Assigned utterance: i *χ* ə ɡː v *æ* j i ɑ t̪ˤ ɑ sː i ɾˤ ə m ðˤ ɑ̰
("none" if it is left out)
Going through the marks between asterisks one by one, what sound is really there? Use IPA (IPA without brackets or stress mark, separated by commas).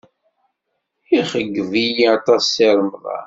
χ, i